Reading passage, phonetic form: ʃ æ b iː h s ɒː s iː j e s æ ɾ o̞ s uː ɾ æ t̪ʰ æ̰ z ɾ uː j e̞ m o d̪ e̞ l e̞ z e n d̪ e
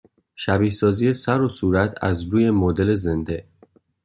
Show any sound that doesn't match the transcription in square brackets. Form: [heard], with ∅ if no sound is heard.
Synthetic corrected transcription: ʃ æ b iː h s ɒː [z] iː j e s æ ɾ o̞ s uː ɾ æ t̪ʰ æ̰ z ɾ uː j e̞ m o d̪ e̞ l e̞ z e n d̪ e